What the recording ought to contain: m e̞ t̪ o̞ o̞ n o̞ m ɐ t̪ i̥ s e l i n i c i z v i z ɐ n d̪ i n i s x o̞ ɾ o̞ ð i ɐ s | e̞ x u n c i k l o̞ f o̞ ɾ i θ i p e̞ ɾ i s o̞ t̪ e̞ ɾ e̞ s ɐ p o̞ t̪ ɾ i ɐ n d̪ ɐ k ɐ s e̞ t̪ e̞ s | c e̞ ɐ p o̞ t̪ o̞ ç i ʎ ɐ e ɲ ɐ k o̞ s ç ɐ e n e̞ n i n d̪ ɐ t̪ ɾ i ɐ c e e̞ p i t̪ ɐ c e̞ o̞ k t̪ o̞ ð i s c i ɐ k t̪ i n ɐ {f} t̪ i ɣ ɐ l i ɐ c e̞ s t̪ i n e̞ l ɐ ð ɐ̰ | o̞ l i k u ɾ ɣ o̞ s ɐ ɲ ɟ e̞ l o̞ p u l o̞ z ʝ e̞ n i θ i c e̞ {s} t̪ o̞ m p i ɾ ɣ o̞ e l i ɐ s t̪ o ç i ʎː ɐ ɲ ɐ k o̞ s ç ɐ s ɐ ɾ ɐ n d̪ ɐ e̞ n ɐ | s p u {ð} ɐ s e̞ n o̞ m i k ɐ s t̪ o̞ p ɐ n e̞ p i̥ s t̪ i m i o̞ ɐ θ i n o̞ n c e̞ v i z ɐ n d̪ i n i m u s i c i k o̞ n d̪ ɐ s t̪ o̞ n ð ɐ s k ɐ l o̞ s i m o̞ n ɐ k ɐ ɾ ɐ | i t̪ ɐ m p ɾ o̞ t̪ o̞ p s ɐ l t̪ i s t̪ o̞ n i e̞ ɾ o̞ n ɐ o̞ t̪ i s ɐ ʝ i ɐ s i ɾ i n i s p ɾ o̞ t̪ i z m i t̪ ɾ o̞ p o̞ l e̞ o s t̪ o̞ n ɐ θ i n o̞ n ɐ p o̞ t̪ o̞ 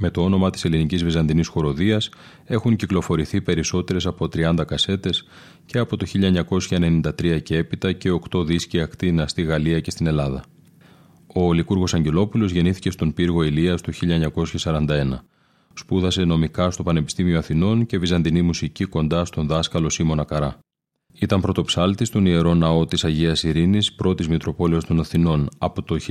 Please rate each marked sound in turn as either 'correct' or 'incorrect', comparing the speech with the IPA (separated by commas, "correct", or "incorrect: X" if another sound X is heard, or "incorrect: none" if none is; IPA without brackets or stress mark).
incorrect: s, correct, correct